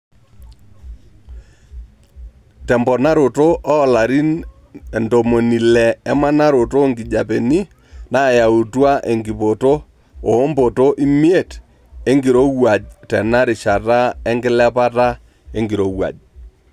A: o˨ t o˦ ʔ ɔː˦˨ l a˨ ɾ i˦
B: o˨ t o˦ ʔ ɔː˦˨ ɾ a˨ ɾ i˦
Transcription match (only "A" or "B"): A